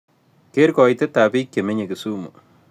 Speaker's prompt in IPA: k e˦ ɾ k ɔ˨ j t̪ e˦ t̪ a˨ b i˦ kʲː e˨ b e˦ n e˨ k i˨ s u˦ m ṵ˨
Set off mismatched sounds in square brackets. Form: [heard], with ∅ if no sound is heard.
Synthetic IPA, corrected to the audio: k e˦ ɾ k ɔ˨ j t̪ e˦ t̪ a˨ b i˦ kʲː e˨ [m] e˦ [ɲ] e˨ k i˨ s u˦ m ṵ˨